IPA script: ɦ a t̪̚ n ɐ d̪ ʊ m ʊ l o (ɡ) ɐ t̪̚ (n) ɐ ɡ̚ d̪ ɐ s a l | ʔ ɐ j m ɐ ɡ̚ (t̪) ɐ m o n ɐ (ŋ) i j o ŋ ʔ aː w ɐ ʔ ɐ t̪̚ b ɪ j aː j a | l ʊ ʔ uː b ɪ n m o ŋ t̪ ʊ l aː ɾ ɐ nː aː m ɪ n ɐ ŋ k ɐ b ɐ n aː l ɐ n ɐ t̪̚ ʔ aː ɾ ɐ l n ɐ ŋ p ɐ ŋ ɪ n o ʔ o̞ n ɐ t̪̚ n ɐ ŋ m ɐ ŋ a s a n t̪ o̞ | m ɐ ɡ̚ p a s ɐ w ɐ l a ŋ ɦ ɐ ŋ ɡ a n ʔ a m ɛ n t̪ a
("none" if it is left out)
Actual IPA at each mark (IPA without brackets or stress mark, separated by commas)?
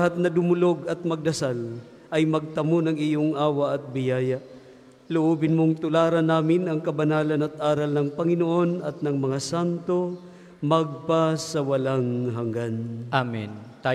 ɡ, m, t̪, ŋ